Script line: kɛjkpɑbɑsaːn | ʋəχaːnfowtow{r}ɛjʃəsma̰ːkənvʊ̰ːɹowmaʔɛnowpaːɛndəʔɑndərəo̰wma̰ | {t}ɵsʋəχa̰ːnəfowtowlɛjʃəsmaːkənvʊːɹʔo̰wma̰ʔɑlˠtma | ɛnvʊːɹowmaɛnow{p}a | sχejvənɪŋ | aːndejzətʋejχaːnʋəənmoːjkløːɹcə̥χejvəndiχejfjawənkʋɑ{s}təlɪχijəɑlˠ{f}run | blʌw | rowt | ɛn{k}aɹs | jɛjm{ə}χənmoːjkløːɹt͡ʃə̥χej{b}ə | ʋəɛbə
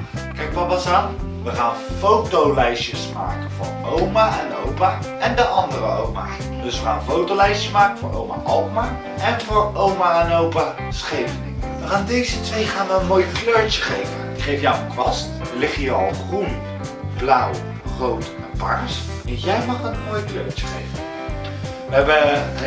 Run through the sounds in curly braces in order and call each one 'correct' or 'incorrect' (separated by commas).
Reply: incorrect, incorrect, correct, correct, incorrect, incorrect, incorrect, incorrect